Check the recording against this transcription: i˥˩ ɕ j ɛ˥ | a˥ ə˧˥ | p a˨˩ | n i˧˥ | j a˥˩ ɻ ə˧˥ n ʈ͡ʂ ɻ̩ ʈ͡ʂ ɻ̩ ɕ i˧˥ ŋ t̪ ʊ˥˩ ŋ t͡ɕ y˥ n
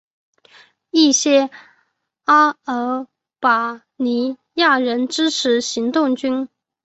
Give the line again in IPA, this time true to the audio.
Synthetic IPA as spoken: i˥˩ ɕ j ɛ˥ | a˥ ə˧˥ | p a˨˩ | n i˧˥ | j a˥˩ ɻ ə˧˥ n ʈ͡ʂ ɻ̩ ʈ͡ʂʰ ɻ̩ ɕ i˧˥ ŋ t̪ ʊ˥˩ ŋ t͡ɕ y˥ n